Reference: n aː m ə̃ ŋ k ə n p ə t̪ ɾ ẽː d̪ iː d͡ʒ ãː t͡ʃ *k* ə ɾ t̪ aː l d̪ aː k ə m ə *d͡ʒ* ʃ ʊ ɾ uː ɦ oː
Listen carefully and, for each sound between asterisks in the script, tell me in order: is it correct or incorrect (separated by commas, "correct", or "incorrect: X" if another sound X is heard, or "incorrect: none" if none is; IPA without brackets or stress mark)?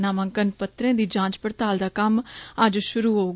incorrect: p, correct